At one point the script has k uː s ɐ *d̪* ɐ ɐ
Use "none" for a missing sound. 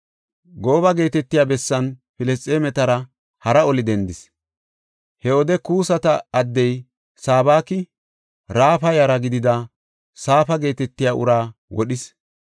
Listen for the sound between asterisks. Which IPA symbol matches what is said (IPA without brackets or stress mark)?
t̪